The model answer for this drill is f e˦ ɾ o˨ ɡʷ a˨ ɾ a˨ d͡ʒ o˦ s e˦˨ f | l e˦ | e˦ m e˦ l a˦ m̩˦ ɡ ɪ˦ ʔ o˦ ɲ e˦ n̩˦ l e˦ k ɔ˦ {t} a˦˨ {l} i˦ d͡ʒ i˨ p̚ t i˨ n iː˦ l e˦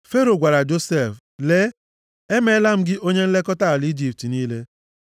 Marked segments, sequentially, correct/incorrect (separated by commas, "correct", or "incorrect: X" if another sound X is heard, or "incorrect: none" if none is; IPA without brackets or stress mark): correct, correct